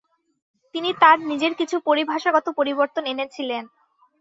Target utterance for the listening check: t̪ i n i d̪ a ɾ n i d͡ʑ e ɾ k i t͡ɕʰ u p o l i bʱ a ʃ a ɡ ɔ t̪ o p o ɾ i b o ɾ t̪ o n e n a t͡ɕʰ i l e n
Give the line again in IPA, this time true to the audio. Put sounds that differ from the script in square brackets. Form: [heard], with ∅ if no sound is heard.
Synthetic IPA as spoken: t̪ i n i [t̪] a ɾ n i d͡ʑ e ɾ k i t͡ɕʰ u p o [ɾ] i bʱ a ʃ a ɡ ɔ t̪ o p o ɾ i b o ɾ t̪ o n e n [e] t͡ɕʰ i l e n